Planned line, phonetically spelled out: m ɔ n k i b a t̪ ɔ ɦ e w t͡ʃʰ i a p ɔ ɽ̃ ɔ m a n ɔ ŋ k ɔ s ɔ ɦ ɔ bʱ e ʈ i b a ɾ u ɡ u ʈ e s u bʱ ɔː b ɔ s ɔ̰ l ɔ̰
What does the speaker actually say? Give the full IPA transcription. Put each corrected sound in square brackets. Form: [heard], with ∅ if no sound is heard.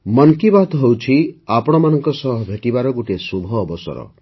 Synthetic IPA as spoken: m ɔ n k i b a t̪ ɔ ɦ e w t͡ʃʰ i a p ɔ ɽ̃ ɔ m a n ɔ ŋ k ɔ s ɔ ɦ ɔ bʱ e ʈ i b a ɾ [ɔ] ɡ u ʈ e s u bʱ ɔː b ɔ s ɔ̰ [ɾ] ɔ̰